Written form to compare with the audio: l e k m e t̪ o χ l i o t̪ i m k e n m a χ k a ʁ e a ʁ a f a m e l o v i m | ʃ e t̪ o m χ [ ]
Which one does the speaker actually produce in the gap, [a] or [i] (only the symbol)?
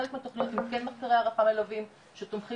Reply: i